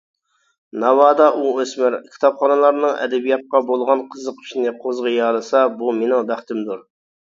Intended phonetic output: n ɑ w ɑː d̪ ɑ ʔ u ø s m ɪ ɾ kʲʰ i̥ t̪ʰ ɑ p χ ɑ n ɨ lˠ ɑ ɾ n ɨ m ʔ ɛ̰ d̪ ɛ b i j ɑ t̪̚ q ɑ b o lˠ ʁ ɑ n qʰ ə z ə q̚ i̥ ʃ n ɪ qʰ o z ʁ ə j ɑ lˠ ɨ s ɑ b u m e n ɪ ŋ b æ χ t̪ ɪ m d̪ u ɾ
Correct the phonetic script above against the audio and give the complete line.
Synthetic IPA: n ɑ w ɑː d̪ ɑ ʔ u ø s m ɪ ɾ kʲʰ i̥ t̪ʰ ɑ p χ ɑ n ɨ lˠ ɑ ɾ n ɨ ŋ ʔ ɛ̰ d̪ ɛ b i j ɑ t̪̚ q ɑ b o lˠ ʁ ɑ n qʰ ə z ə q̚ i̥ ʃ n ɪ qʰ o z ʁ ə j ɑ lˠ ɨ s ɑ b u m e n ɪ ŋ b æ χ t̪ ɪ m d̪ u ɾ